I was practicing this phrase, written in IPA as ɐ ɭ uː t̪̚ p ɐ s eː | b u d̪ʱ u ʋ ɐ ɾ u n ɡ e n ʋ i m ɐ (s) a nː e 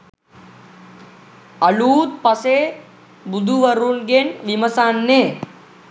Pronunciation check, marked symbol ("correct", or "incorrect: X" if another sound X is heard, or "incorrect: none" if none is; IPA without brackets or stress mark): correct